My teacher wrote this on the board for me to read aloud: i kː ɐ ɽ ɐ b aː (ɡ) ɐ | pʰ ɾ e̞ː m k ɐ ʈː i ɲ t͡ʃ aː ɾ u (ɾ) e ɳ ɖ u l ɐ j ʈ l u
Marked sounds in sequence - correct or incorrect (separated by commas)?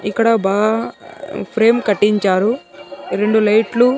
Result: correct, correct